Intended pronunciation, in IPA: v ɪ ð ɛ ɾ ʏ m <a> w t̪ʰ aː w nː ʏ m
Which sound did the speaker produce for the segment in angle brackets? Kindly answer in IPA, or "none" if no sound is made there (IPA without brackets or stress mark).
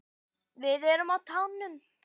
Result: a